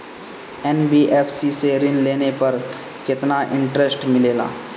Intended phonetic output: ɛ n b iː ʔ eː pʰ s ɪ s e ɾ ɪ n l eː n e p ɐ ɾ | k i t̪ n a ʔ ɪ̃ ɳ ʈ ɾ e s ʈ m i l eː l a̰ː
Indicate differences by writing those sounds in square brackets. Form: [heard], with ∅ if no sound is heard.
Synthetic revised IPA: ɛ n b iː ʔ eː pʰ s [i] s e ɾ ɪ n l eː n e p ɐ ɾ | k [ɪ] t̪ n a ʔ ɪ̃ ɳ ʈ ɾ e s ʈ m [ɪ] l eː l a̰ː